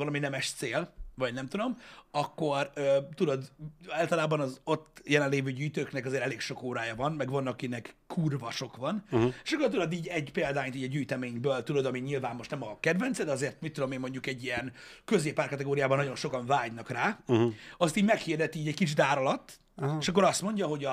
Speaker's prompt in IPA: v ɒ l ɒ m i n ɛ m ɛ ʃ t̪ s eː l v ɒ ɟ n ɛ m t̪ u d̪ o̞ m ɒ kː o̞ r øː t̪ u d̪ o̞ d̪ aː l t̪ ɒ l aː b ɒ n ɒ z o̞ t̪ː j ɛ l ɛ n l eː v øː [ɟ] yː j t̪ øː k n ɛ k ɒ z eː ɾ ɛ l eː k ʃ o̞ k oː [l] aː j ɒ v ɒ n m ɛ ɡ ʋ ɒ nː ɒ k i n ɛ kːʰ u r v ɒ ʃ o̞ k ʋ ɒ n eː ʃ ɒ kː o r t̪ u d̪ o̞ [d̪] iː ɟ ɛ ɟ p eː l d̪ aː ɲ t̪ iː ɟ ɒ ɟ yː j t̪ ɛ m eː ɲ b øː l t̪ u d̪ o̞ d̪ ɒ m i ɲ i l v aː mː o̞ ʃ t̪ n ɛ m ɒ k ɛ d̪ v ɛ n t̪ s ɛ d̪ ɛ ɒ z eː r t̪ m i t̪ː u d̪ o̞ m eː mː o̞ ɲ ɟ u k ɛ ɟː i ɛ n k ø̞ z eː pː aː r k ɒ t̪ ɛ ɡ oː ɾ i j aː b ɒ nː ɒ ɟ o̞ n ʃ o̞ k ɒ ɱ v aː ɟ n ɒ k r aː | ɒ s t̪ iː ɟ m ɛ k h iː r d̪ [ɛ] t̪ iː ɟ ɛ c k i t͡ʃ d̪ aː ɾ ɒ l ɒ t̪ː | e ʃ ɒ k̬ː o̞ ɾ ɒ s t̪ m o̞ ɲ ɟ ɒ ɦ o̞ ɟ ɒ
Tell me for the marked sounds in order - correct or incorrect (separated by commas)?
correct, incorrect, correct, correct